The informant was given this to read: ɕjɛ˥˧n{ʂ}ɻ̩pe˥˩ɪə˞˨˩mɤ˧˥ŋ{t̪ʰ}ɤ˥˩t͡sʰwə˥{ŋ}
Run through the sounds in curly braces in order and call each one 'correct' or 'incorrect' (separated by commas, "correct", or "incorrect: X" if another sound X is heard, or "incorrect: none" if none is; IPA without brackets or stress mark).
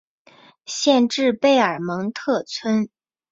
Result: incorrect: ʈ͡ʂ, correct, incorrect: n